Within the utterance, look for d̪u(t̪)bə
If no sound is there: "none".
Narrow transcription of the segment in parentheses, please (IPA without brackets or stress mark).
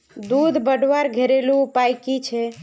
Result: d̪